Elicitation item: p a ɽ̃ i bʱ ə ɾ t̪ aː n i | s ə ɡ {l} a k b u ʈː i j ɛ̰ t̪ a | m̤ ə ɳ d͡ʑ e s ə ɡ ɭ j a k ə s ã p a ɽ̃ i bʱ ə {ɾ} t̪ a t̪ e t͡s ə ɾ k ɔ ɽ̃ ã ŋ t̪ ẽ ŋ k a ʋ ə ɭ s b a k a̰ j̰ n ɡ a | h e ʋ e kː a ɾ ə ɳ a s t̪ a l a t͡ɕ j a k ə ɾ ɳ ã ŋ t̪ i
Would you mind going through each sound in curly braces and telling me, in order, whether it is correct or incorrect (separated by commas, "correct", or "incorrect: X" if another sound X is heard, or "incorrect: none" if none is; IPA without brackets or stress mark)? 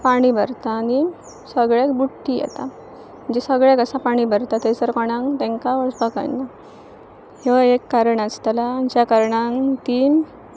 incorrect: ɭ, correct